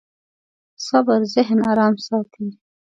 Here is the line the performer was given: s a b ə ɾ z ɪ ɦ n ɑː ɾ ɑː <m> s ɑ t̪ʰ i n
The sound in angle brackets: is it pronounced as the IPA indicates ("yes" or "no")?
yes